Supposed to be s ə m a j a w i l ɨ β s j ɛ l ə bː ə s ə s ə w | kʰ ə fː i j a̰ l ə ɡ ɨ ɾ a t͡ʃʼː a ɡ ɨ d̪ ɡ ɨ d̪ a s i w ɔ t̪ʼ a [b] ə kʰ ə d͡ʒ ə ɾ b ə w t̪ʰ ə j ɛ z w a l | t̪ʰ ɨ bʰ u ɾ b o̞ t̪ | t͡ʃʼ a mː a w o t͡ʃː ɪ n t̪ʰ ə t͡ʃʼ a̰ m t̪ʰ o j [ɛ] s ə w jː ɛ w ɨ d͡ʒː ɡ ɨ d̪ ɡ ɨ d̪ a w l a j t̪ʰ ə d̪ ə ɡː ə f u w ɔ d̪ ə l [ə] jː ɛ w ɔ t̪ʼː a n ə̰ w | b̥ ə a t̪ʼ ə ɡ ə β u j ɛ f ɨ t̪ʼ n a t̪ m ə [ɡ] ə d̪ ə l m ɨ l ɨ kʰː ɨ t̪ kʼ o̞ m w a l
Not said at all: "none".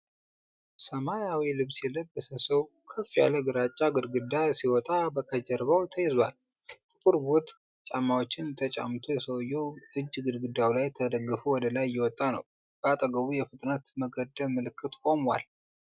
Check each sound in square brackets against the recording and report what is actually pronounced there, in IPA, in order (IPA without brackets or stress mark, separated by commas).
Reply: b, ɛ, a, ɡ